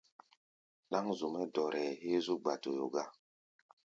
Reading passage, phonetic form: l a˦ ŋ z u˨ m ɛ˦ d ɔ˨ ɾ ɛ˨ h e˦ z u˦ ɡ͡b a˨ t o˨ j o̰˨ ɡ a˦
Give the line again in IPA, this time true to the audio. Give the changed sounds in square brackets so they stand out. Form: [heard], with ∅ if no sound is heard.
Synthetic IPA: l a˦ ŋ z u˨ m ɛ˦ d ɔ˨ ɾ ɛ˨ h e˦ z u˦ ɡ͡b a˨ t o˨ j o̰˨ ɡ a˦

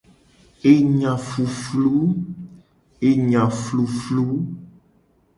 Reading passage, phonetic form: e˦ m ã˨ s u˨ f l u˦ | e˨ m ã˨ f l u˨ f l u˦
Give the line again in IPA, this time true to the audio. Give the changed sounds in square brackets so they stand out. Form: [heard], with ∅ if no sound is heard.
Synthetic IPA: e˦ [ɲ] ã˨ [f] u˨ f l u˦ | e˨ [ɲ] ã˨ f l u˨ f l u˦

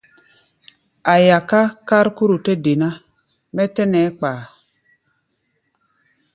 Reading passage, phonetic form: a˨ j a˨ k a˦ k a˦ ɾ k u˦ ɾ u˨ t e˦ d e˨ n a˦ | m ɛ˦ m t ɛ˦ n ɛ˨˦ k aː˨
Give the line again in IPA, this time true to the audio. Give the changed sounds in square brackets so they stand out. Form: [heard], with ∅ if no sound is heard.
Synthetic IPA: a˨ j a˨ k a˦ k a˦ ɾ k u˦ ɾ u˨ t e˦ d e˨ n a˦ | m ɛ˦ [∅] t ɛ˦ n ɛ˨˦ [k͡p] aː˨

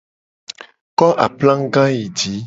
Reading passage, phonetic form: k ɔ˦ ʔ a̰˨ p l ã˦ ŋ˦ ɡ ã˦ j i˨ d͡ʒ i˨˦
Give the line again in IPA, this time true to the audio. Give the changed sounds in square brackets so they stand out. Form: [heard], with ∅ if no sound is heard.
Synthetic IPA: k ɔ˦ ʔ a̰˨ p l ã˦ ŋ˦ ɡ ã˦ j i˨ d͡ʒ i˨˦

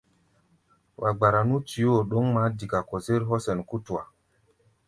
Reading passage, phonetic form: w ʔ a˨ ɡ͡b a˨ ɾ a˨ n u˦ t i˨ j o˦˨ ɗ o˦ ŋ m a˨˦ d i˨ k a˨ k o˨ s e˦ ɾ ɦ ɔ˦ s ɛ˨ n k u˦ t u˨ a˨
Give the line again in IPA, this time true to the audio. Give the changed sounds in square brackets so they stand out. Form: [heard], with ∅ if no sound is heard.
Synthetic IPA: w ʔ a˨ ɡ͡b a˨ ɾ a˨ n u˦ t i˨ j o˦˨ ɗ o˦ ŋ m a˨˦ d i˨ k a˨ k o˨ s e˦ ɾ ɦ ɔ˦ s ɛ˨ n k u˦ t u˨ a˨

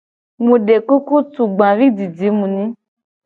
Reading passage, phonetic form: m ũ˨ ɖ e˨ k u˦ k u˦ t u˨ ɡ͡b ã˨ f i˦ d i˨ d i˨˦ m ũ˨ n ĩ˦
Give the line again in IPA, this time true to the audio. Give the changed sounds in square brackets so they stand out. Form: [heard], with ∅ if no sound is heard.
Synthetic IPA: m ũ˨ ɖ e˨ k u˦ k u˦ t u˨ ɡ͡b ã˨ [v] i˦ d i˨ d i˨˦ m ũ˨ n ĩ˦

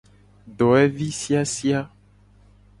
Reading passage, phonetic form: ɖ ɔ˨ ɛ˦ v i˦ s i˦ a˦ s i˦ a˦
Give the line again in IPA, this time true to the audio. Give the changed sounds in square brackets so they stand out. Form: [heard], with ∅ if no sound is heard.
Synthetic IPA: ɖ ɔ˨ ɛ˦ v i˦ s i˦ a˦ s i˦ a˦

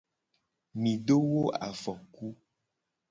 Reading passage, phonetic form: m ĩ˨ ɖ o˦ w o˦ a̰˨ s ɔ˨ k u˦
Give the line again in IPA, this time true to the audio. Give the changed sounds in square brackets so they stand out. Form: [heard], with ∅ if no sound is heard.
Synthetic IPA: m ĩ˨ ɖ o˦ w o˦ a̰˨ [f] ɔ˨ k u˦

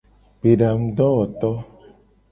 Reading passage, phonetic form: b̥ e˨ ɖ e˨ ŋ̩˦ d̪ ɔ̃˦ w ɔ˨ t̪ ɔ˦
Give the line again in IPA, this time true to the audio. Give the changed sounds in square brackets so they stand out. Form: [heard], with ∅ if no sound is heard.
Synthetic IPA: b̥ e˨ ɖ [a˨] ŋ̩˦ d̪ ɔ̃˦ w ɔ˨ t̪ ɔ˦

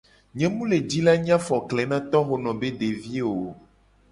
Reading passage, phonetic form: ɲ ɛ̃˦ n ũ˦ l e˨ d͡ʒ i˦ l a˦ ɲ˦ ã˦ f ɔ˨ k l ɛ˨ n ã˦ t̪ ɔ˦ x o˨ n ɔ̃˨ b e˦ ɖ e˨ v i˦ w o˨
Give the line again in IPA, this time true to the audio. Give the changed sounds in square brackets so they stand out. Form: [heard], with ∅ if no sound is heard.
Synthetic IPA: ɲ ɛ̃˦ [m] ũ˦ l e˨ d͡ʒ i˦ l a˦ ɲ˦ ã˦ f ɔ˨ k l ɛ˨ n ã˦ t̪ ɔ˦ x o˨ n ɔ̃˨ b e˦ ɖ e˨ v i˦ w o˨

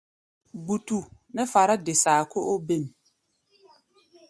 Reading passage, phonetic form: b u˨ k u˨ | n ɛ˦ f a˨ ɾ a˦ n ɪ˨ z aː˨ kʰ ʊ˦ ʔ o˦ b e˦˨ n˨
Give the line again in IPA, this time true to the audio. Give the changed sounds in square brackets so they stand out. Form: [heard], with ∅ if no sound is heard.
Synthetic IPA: b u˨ [t] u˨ | n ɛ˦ f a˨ ɾ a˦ [d] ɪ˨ [s] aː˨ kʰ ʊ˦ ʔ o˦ b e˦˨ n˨

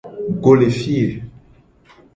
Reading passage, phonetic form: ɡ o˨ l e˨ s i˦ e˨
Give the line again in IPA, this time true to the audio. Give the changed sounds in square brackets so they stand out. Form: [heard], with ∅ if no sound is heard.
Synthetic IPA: ɡ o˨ l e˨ [f] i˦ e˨

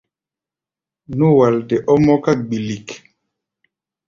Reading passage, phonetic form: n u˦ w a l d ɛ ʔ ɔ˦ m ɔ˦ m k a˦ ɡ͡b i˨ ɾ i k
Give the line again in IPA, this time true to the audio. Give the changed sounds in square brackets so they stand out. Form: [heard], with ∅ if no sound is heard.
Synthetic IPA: n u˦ w a l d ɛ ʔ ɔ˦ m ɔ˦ [∅] k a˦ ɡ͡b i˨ [l] i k

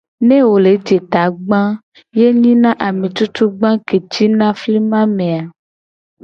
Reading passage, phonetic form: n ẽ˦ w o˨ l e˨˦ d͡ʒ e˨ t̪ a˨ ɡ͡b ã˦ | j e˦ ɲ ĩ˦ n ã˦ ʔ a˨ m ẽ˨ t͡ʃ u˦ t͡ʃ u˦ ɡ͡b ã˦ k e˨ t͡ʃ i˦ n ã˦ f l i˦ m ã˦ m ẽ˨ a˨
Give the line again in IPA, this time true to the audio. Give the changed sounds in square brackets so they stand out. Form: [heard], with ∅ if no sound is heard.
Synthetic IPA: n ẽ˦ w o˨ l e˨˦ d͡ʒ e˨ t̪ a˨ ɡ͡b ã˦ | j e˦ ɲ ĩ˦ n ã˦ ʔ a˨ m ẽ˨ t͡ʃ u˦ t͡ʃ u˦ ɡ͡b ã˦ k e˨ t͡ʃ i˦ n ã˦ f l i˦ m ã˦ m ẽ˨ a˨

